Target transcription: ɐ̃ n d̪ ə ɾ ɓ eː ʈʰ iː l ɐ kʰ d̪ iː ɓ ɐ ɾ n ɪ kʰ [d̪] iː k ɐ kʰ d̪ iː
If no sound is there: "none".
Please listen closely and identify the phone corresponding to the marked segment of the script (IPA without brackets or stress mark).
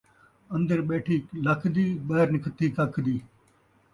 t̪